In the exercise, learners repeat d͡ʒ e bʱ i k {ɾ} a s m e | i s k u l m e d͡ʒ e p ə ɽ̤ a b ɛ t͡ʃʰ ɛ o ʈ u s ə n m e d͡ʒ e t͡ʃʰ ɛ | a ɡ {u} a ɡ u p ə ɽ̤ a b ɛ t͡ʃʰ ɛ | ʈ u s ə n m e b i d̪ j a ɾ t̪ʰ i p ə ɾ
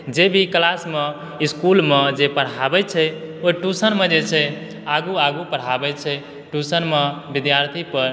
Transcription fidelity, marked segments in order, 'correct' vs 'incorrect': incorrect: l, correct

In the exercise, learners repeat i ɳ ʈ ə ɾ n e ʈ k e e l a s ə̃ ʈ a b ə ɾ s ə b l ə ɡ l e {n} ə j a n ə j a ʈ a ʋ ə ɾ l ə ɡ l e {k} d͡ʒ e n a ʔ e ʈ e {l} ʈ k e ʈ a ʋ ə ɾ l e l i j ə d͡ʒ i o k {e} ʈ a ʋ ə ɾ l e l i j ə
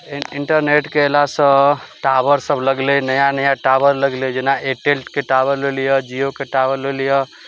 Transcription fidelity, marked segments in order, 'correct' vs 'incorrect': correct, incorrect: none, correct, correct

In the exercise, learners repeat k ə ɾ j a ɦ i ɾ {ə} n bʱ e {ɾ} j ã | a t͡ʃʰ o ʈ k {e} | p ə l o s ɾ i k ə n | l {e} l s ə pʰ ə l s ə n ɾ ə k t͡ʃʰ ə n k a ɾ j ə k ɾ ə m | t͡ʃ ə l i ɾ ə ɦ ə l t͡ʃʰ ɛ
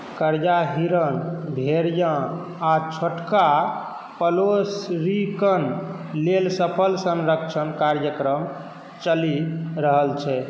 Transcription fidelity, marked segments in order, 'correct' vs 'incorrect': correct, correct, incorrect: a, correct

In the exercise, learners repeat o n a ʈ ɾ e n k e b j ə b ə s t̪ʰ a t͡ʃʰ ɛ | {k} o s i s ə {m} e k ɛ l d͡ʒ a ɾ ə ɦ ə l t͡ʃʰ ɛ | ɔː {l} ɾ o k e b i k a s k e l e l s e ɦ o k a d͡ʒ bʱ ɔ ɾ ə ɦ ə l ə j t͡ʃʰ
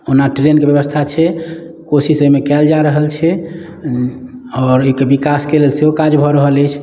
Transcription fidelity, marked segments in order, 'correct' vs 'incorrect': correct, correct, incorrect: none

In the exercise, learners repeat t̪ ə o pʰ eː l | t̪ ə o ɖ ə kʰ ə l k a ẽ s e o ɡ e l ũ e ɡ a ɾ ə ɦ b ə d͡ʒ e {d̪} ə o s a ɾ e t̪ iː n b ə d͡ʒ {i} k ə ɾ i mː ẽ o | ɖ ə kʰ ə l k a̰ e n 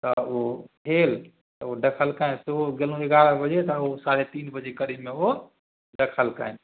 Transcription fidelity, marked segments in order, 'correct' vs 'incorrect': incorrect: t̪, incorrect: e

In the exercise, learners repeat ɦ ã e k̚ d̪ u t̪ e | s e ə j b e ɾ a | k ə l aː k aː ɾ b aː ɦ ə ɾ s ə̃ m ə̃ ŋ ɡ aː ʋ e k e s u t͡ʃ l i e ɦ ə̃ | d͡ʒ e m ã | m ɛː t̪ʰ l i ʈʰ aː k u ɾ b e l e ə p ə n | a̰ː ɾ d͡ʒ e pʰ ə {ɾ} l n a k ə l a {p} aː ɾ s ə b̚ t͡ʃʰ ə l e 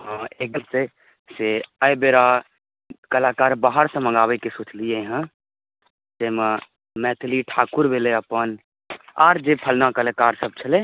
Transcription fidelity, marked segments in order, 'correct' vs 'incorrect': incorrect: none, incorrect: k

